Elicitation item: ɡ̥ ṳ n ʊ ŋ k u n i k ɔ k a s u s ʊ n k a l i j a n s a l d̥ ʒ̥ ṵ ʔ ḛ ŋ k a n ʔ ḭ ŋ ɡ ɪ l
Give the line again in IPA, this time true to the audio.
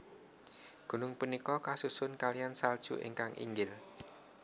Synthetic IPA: ɡ̥ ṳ n ʊ ŋ p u n i k ɔ k a s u s ʊ n k a l i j a n s a l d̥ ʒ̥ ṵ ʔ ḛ ŋ k a ŋ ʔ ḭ ŋ ɡ ɪ l